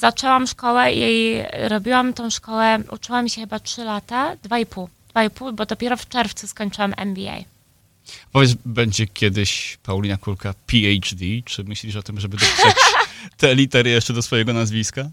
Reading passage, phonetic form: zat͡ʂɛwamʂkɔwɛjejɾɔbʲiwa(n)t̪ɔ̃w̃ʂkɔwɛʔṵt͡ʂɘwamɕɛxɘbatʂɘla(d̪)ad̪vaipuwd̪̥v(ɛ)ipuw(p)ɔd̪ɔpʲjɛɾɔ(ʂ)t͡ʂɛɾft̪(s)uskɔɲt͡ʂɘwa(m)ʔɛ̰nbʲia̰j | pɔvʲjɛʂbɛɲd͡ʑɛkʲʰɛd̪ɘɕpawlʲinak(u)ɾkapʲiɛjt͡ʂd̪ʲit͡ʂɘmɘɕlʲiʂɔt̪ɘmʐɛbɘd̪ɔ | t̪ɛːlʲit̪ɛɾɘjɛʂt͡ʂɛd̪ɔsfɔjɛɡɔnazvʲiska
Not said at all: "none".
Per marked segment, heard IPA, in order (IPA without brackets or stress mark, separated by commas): m, t̪, a, b, f, s, m, u